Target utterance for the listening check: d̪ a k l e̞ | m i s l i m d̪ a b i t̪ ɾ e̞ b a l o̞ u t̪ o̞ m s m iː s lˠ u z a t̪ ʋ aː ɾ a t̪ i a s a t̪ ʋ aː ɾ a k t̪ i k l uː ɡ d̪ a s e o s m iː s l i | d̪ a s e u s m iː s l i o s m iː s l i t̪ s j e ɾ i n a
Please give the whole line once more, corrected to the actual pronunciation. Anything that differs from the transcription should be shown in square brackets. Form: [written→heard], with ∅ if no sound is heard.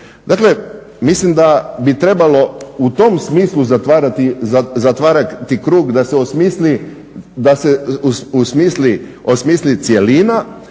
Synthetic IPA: d̪ a k l e̞ | m i s l i m d̪ a b i t̪ ɾ e̞ b a l o̞ u t̪ o̞ m s m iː s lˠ u z a t̪ ʋ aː ɾ a t̪ i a [s→z] a t̪ ʋ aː ɾ a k t̪ i k [l→ɾ] uː ɡ d̪ a s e o s m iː s l i | d̪ a s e u s m iː s l i o s m iː s l i t̪ s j e [ɾ→l] i n a